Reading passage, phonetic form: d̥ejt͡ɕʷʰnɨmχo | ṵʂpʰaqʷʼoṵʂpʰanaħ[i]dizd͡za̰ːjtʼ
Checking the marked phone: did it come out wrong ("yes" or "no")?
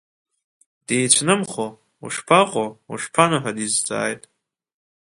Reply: yes